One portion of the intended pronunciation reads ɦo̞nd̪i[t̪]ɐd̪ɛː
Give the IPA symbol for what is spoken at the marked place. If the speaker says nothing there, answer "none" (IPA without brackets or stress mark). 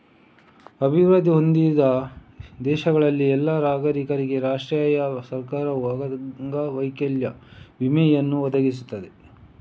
d̪